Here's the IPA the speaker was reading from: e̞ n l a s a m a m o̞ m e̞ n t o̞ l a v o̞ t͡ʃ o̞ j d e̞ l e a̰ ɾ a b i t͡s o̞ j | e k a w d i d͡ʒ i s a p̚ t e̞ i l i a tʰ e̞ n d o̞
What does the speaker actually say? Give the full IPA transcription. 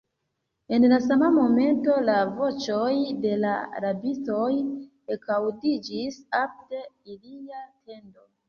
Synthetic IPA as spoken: e̞ n l a s a m a m o̞ m e̞ n t o̞ l a v o̞ t͡ʃ o̞ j d e̞ l a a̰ ɾ a b i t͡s o̞ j | e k a w d i d͡ʒ i s a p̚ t e̞ i l i a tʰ e̞ n d o̞